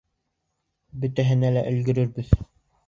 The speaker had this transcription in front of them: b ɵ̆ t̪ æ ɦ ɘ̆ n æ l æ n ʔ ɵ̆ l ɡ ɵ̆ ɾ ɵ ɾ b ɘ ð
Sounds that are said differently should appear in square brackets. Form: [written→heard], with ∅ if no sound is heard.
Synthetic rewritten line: b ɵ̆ t̪ æ ɦ ɘ̆ n æ l æ [n→∅] ʔ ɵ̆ l ɡ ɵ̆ ɾ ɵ ɾ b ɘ ð